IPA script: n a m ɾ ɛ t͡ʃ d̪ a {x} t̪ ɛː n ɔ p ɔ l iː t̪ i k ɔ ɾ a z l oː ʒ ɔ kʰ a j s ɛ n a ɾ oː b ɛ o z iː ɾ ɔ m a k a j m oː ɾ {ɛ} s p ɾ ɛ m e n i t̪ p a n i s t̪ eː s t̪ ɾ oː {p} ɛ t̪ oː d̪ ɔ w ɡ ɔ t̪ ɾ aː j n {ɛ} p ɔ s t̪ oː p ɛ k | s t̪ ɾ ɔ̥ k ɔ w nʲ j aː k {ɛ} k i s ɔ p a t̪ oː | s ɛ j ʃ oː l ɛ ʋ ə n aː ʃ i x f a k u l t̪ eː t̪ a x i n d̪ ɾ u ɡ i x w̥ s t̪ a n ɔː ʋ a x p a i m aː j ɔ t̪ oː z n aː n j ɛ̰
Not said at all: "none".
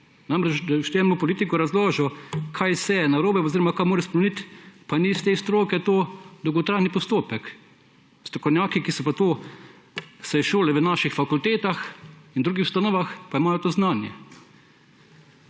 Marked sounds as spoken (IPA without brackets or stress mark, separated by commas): ʃ, ɛ, k, i, i